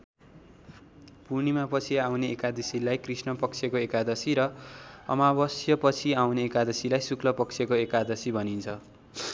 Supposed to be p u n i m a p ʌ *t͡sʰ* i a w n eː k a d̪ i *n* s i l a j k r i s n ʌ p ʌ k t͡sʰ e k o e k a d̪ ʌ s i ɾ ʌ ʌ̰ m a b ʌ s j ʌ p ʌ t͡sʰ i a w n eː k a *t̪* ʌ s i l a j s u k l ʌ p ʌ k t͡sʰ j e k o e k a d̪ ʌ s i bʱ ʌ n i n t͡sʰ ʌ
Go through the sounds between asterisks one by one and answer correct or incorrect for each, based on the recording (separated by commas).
correct, incorrect, incorrect